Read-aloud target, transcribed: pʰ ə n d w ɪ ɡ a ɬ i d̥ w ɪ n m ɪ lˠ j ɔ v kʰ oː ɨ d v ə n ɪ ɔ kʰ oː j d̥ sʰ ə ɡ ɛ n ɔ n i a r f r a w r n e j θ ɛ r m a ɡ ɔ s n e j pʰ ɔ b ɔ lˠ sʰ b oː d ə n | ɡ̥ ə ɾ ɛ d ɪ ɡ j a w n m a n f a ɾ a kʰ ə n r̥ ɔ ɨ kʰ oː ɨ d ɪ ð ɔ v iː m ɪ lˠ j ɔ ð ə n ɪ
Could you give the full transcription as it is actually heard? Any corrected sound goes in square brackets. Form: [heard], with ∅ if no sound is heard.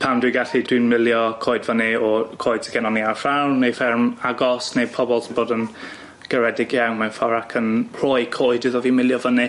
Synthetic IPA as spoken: pʰ [a] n d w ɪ ɡ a ɬ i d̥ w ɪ n m ɪ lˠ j ɔ [∅] kʰ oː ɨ d v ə n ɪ ɔ kʰ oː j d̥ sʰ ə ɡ ɛ n ɔ n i a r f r a w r n e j [f] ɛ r m a ɡ ɔ s n e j pʰ ɔ b ɔ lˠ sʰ b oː d ə n | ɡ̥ ə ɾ ɛ d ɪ ɡ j a w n m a n f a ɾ a kʰ ə n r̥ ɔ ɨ kʰ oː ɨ d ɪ ð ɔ v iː m ɪ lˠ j ɔ [v] ə n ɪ